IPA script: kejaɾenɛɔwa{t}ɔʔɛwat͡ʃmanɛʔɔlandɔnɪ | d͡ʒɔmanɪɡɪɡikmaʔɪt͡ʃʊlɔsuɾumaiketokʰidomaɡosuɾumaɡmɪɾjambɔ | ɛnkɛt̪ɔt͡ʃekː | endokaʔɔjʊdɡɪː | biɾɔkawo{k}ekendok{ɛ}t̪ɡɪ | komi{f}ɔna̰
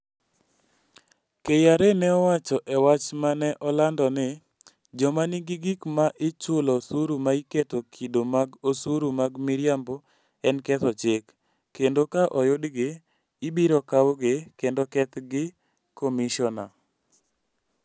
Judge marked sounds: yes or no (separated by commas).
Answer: no, no, yes, no